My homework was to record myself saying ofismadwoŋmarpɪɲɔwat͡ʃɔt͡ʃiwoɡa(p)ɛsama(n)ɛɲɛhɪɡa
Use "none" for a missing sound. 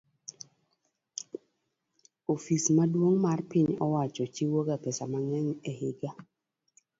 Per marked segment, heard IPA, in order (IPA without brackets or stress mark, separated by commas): p, ŋ